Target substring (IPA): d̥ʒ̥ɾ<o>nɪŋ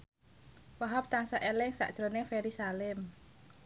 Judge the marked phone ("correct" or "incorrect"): correct